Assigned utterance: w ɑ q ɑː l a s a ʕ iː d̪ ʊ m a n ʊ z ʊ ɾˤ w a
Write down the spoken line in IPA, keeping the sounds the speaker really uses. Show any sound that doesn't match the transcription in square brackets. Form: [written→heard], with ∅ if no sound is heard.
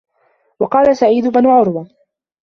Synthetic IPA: w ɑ q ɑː l a s a ʕ iː d̪ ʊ [m→b] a n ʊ [z→ʕ] ʊ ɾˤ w a